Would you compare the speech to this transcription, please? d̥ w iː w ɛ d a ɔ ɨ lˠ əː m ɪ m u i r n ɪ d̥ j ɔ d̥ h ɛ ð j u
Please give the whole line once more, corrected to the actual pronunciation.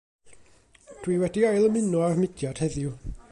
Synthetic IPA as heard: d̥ w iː w ɛ d i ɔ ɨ lˠ ə m ɪ n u a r m ɪ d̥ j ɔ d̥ h ɛ ð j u